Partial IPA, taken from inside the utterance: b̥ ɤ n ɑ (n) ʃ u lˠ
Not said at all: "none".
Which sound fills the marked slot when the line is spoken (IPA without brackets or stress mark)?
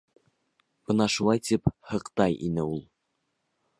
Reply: none